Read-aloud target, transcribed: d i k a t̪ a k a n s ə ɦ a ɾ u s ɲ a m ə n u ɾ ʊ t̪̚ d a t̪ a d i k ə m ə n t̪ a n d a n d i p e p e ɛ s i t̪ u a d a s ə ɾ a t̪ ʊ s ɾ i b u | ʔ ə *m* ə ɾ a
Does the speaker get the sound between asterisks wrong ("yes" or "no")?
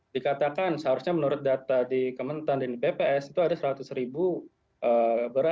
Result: yes